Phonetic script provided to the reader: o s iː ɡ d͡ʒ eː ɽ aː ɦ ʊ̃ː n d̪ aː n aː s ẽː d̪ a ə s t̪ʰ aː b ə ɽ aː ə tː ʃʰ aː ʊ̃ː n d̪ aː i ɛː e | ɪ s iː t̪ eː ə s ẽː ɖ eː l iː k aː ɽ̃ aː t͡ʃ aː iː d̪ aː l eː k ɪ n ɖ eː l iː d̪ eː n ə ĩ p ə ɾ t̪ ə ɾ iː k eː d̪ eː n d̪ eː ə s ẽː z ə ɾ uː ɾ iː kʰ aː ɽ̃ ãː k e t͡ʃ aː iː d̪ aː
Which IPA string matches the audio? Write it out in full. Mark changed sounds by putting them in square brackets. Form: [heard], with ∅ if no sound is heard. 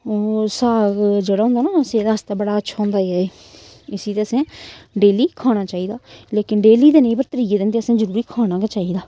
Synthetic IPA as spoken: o s [aː] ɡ d͡ʒ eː ɽ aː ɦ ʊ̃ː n d̪ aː n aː s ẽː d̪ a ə s [t̪] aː b ə ɽ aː ə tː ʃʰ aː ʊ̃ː n d̪ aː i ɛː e | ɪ s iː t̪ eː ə s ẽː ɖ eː l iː [kʰ] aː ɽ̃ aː t͡ʃ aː iː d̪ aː l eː k ɪ n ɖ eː l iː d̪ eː n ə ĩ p ə ɾ t̪ ə ɾ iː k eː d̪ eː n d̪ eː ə s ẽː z ə ɾ uː ɾ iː kʰ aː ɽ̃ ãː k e t͡ʃ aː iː d̪ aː